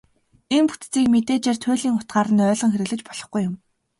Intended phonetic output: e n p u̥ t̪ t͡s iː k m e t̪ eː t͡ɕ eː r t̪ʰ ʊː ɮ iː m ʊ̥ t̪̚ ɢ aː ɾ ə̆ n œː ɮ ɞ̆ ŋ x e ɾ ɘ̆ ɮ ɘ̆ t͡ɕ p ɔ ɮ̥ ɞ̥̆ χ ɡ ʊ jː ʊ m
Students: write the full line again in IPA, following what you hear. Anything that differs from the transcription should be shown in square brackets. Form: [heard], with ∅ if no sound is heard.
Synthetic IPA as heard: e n p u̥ t̪ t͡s iː k m e t̪ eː t͡ɕ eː r t̪ʰ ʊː ɮ iː [ŋ] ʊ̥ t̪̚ ɢ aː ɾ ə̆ n œː ɮ ɞ̆ ŋ x e ɾ ɘ̆ ɮ ɘ̆ t͡ɕ p ɔ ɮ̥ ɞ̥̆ χ ɡ [u] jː ʊ m